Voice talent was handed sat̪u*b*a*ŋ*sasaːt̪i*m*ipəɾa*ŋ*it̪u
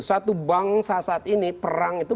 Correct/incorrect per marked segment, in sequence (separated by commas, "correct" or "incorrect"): correct, correct, incorrect, correct